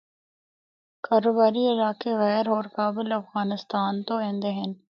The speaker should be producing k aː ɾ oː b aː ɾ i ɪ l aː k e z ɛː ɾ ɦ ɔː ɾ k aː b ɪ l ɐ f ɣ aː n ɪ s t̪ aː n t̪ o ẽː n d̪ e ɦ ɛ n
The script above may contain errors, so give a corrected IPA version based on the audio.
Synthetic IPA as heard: k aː ɾ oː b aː ɾ i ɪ l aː k e ɣ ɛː ɾ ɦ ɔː ɾ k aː b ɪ l ɐ f ɣ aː n ɪ s t̪ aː n t̪ o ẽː n d̪ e ɦ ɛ n